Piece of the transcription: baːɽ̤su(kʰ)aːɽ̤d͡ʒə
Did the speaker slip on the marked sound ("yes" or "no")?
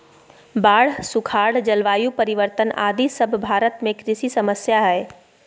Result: no